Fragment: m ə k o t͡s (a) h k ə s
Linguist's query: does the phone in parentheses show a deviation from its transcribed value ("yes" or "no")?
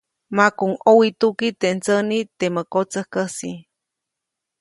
yes